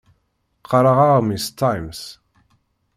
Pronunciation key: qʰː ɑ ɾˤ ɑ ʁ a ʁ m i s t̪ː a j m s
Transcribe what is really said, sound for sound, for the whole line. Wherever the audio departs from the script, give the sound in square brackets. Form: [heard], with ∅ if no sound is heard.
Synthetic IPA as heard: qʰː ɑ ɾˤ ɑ ʁ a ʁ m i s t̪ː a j m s